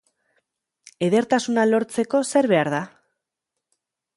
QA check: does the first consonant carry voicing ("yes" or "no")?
yes